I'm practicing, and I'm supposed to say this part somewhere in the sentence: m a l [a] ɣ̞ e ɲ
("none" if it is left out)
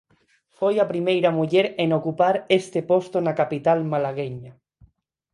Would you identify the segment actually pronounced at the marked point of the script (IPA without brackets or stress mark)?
a